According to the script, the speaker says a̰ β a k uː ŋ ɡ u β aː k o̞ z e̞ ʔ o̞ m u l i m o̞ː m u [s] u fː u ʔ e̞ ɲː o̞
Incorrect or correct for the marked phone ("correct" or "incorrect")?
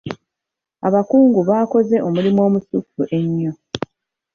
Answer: correct